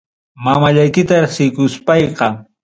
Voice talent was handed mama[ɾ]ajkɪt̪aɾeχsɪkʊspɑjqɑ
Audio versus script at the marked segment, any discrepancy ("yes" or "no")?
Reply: yes